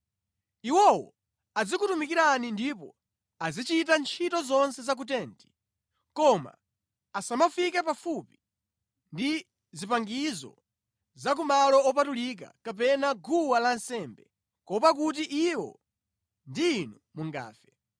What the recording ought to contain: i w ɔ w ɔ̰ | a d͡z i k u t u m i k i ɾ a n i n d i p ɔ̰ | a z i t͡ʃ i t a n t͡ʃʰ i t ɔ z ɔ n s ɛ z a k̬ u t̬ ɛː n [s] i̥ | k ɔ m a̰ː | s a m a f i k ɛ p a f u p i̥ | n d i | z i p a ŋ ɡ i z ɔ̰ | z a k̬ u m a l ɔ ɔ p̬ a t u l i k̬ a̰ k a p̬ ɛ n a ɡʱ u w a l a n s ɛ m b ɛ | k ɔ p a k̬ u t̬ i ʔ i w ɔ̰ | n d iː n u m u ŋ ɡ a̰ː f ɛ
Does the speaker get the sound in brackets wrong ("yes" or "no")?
yes